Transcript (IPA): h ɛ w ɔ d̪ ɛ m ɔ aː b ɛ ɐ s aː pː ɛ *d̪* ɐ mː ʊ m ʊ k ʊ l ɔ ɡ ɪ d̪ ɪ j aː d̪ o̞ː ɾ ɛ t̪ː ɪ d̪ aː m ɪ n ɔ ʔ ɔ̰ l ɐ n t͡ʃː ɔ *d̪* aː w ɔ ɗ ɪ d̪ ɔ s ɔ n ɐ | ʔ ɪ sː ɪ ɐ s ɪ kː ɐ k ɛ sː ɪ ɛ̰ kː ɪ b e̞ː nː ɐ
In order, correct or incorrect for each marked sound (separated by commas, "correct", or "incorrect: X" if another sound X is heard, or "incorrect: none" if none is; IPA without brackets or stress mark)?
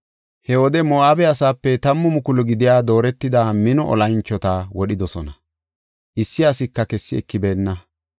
incorrect: t̪, incorrect: t̪